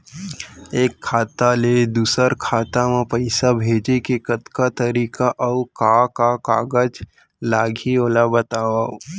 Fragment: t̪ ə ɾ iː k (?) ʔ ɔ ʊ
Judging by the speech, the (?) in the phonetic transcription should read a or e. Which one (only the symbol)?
a